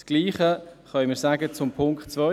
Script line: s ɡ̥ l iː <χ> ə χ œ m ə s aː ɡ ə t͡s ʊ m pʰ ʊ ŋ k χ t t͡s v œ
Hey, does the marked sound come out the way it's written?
yes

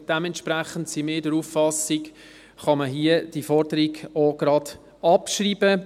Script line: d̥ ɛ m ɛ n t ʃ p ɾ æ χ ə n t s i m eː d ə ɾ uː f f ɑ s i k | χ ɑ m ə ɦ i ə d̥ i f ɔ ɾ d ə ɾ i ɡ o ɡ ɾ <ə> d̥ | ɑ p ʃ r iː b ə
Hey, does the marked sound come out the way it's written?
no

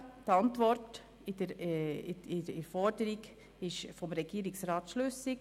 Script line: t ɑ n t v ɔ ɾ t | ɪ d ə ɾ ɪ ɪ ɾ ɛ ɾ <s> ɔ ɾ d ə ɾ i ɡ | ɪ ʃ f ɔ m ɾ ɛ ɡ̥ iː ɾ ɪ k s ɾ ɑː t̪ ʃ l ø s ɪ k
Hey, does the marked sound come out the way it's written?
no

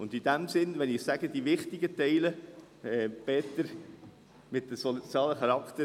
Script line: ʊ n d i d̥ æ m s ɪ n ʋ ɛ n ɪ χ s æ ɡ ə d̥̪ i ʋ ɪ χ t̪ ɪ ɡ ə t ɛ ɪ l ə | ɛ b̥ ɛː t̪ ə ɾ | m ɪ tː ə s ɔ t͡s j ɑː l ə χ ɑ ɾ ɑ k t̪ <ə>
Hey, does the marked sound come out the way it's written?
yes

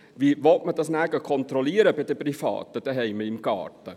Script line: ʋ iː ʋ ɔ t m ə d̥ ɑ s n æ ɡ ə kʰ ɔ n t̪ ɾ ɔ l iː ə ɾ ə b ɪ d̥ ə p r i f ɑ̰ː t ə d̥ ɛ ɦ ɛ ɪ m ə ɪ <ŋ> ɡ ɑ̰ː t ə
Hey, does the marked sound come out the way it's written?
no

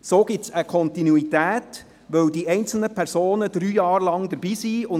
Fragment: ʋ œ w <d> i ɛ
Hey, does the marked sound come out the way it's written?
yes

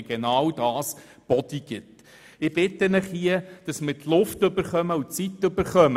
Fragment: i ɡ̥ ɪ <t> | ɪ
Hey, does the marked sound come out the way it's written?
yes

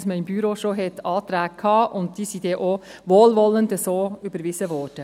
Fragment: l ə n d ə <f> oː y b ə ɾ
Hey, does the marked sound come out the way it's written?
no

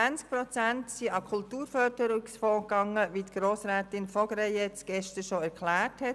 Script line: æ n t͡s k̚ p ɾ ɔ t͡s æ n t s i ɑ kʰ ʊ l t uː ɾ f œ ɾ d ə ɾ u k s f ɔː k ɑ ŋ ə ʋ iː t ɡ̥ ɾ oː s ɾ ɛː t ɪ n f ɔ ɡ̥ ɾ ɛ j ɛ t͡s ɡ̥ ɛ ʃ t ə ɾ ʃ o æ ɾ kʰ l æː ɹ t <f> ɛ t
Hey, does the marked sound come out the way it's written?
no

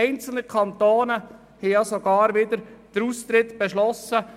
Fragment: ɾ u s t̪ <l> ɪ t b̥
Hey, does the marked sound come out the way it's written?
no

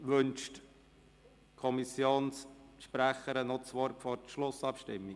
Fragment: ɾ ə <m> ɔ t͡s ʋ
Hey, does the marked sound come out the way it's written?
no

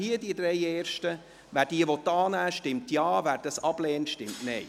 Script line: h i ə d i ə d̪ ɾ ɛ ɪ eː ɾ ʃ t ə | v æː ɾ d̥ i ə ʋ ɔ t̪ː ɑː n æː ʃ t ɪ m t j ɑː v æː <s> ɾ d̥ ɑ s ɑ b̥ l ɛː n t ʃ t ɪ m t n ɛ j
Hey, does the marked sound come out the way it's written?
no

